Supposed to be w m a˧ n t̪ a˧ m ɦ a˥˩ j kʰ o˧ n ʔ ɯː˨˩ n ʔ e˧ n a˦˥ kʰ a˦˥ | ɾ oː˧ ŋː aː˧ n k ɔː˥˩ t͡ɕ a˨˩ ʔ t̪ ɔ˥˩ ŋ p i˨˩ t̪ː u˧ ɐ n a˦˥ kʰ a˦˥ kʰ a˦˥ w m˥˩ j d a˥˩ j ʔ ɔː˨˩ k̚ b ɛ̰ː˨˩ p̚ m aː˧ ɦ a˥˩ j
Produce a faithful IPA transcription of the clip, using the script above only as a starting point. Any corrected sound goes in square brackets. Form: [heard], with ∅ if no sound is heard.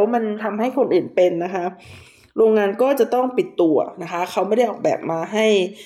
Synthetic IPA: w m a˧ n [t̪ʰ] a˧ m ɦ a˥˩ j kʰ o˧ n ʔ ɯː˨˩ n [p] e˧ [nː] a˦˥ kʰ a˦˥ | ɾ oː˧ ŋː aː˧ n k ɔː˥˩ t͡ɕ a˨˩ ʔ t̪ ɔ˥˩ ŋ p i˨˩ t̪ː u˧ ɐ n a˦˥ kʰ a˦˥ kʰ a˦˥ w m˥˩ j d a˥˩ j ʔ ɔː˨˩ k̚ b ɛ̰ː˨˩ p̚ m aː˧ ɦ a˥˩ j